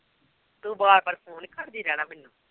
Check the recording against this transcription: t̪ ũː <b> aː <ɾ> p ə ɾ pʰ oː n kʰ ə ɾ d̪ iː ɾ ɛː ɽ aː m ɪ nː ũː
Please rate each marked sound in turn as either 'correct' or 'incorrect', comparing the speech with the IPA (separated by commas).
correct, correct